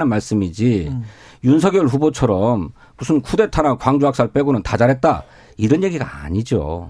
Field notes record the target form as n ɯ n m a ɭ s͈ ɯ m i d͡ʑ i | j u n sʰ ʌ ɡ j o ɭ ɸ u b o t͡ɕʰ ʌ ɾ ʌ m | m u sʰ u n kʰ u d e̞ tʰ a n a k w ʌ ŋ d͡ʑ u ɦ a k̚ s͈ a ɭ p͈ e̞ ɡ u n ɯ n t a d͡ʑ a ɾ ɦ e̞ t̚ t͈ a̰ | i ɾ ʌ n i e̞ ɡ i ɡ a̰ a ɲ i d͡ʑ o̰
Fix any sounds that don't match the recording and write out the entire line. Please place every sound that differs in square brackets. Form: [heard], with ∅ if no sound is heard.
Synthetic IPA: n ɯ n m a ɭ s͈ ɯ m i d͡ʑ i | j u n sʰ ʌ ɡ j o ɭ ɸ u b o t͡ɕʰ ʌ ɾ ʌ m | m u sʰ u n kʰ u d e̞ tʰ a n a k w [a] ŋ d͡ʑ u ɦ a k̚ s͈ a ɭ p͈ e̞ ɡ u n ɯ n t a d͡ʑ a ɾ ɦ e̞ t̚ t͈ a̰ | i ɾ ʌ n [j] e̞ ɡ i ɡ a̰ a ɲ i d͡ʑ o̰